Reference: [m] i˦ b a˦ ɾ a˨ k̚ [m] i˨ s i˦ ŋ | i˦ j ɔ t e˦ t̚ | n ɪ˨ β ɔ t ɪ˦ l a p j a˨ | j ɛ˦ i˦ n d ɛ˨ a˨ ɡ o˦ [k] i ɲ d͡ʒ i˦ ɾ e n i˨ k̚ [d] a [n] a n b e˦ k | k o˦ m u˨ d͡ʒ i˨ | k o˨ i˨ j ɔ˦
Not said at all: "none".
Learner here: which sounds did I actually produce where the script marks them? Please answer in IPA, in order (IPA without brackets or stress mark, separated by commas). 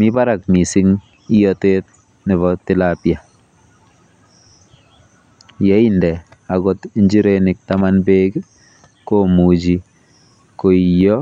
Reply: m, m, t, t, m